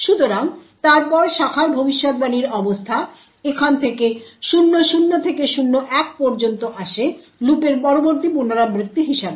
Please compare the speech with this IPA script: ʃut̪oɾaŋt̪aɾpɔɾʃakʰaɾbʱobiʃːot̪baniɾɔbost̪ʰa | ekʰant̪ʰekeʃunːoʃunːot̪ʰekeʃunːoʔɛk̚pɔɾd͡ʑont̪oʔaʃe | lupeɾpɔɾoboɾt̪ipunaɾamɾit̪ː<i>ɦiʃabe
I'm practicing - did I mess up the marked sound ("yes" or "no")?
no